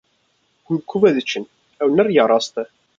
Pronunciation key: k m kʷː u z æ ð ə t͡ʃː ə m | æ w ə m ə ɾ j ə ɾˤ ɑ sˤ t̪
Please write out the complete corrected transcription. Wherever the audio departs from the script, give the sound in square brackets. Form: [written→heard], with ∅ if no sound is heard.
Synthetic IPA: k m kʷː u [z→v] æ ð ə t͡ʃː ə [m→n] | æ w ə [m→n] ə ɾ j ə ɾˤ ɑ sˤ t̪